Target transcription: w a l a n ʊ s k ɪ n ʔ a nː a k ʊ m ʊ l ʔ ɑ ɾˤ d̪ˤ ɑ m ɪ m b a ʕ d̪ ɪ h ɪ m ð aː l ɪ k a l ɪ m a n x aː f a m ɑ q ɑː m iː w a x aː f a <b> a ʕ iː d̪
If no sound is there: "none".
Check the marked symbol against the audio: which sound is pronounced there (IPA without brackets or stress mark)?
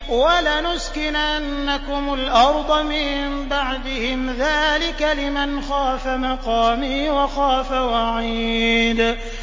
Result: w